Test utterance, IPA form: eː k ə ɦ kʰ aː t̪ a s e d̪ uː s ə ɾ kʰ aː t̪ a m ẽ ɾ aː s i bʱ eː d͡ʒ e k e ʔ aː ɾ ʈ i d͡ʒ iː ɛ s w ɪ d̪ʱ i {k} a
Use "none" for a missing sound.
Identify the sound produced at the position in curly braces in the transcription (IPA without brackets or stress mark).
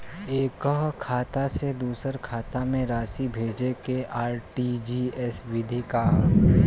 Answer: k